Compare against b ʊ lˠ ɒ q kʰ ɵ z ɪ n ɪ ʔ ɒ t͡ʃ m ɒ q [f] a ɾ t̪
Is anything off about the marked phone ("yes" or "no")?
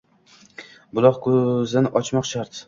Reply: yes